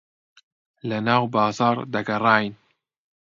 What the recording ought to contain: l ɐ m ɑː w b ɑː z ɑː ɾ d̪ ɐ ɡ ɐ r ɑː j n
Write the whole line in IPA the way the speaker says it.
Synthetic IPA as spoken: l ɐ n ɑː w b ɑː z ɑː ɾ d̪ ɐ ɡ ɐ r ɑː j n